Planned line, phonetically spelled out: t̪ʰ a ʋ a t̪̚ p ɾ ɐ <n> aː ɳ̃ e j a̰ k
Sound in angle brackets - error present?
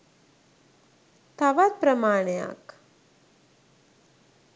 yes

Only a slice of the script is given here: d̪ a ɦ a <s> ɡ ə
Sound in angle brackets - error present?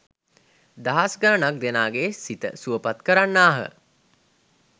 no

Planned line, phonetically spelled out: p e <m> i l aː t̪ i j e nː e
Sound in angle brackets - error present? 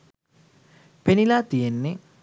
yes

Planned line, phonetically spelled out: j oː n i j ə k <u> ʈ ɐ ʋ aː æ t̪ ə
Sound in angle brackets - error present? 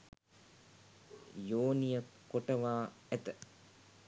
yes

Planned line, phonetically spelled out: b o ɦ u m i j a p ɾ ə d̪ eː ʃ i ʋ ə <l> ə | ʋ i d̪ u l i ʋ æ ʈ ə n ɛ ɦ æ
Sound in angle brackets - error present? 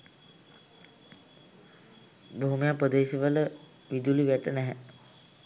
no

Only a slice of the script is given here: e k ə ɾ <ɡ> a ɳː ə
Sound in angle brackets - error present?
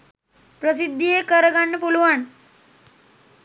no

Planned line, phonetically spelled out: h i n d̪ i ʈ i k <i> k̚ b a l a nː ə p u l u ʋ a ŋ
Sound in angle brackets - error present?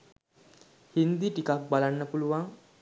yes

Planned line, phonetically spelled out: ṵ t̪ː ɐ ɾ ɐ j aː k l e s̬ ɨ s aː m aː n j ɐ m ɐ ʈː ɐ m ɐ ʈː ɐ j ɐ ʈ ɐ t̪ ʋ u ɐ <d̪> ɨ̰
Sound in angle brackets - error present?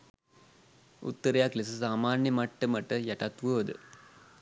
no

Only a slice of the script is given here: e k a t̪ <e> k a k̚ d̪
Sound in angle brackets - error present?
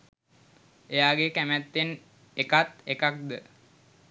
no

